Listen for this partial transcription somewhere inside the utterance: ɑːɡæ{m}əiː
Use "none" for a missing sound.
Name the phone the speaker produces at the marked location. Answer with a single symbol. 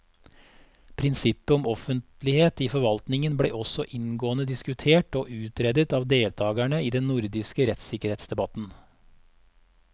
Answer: ɳ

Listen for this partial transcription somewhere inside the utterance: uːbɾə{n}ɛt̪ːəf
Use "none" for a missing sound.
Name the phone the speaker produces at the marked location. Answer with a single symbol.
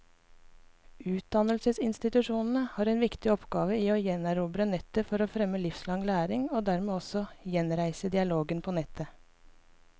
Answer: n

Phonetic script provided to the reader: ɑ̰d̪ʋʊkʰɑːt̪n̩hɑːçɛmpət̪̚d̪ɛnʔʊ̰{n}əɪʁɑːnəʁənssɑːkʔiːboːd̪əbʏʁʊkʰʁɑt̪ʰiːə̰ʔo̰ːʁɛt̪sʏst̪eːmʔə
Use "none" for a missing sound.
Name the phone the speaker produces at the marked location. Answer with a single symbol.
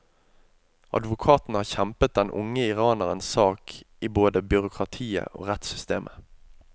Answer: ŋ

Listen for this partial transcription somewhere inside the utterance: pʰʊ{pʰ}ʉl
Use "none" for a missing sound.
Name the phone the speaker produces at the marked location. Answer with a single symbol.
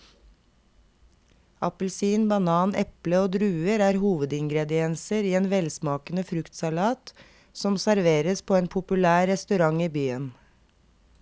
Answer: p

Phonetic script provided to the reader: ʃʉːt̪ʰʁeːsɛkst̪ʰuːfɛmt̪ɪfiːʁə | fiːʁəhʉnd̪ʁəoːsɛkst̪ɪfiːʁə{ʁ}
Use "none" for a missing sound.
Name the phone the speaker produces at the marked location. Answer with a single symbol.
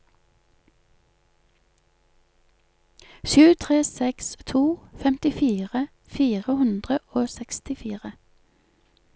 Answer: none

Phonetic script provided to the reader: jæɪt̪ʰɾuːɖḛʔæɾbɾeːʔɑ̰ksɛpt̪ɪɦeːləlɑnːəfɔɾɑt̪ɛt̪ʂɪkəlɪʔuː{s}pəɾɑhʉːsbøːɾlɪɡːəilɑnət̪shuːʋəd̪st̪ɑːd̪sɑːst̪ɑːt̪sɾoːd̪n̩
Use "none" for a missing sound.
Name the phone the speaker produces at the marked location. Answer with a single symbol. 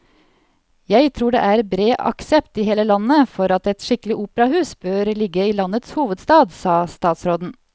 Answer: none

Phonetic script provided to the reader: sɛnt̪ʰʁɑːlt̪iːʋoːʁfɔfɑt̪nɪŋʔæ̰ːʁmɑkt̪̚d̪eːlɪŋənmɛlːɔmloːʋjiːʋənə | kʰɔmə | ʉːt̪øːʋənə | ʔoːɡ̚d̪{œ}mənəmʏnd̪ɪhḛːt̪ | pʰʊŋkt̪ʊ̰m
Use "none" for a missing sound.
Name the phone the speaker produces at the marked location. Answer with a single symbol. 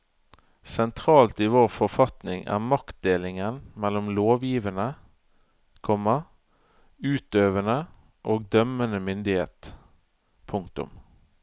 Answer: œ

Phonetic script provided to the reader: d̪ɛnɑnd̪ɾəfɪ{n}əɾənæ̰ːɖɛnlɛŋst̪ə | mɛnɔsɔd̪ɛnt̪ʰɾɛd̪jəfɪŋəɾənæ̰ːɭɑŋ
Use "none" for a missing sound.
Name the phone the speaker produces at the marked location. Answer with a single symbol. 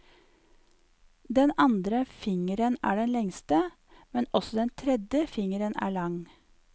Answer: ŋ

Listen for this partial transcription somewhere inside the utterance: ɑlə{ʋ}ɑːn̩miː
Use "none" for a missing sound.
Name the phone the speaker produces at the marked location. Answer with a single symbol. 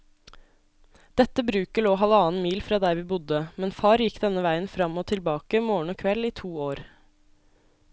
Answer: none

